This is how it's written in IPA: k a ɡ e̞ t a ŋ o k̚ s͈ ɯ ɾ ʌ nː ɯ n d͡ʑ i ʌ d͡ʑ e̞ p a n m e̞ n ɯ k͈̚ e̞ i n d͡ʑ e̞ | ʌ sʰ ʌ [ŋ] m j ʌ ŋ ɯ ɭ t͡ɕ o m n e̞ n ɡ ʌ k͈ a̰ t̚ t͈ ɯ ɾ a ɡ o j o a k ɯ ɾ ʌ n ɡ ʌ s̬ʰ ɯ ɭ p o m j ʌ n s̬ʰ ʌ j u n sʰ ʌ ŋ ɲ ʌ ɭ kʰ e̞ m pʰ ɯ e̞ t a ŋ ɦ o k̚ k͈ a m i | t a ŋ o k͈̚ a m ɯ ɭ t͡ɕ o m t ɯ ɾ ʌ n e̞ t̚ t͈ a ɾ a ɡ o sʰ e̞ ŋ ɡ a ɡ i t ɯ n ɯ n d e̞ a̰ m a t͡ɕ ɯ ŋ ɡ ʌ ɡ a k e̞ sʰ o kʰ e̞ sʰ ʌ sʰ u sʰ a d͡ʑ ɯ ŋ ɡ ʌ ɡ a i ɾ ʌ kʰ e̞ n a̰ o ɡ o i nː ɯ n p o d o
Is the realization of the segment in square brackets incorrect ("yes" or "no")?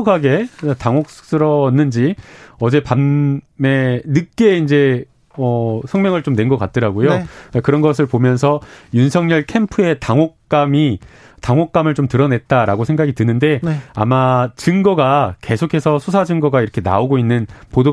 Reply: no